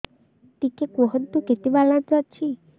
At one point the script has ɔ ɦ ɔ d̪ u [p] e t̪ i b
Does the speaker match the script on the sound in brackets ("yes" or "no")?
no